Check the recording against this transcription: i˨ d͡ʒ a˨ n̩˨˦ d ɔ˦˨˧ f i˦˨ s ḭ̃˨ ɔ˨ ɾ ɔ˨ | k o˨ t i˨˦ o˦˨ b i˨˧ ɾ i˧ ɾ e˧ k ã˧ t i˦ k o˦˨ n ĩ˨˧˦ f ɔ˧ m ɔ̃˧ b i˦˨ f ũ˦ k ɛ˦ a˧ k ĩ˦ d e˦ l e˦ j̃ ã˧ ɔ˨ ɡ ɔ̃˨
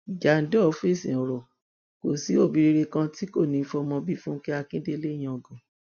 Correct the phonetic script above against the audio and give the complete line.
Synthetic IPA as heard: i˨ d͡ʒ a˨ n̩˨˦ d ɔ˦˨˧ f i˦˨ s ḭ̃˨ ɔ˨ ɾ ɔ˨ | k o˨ s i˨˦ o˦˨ b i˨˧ ɾ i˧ ɾ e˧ k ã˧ t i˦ k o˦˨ n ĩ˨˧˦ f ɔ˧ m ɔ̃˧ b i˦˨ f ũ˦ k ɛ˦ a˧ k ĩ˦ d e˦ l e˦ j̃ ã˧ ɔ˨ ɡ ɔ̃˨